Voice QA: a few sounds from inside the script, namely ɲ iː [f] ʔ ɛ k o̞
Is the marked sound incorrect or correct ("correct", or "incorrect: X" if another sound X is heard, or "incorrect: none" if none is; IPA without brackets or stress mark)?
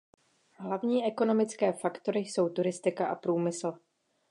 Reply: incorrect: none